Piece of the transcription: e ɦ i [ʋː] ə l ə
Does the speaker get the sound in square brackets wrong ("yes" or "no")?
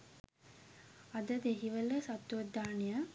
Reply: yes